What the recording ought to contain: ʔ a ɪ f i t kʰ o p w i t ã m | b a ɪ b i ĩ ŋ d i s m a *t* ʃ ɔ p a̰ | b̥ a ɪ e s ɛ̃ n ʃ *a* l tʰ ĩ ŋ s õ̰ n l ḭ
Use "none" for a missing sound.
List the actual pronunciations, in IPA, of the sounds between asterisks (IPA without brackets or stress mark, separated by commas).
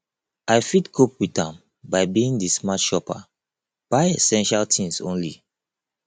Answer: t, a